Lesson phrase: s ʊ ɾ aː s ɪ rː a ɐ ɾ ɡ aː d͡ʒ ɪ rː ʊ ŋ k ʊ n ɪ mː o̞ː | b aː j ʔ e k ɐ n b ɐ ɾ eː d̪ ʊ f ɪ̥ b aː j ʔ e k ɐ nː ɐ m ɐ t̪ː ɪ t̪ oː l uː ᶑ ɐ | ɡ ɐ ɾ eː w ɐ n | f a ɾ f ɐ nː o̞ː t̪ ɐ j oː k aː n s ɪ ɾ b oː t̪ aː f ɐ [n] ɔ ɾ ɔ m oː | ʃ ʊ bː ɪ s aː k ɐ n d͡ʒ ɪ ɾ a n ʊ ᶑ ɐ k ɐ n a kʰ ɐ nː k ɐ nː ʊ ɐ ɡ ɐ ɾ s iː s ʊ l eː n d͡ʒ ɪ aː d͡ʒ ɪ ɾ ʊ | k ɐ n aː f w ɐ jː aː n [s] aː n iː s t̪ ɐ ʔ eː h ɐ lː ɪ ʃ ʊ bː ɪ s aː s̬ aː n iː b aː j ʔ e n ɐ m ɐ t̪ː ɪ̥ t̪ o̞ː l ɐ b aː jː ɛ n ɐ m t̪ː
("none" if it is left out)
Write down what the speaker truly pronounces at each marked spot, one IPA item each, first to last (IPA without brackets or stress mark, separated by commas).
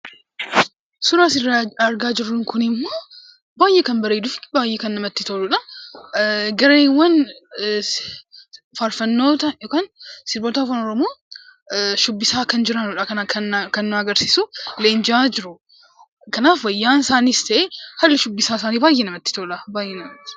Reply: n, s